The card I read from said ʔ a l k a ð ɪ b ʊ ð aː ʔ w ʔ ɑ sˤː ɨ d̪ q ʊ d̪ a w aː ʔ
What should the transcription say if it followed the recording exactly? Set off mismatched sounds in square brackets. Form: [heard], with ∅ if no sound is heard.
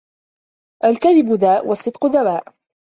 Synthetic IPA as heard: ʔ a l k a ð ɪ b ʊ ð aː ʔ w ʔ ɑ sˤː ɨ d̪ q ʊ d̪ a w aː ʔ